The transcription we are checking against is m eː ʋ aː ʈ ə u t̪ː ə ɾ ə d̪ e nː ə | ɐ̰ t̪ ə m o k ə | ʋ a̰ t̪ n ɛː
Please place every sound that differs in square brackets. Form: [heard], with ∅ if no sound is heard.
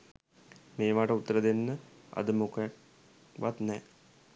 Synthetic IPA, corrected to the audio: m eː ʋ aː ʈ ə u t̪ː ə ɾ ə d̪ e nː ə | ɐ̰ [d̪] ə m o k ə | ʋ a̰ t̪ n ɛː